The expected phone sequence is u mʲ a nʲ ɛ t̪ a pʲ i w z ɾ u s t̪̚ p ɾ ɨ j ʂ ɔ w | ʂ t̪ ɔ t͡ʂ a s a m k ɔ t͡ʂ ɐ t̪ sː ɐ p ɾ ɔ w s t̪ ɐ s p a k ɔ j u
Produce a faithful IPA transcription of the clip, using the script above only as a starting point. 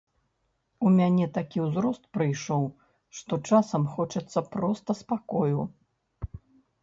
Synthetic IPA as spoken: u mʲ a nʲ ɛ t̪ a kʲ i w z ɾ ɔ s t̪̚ p ɾ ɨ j ʂ ɔ w | ʂ t̪ ɔ t͡ʂ a s ɐ m x ɔ t͡ʂ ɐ t̪ sː ɐ p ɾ ɔ s t̪ ɐ s p a k ɔ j u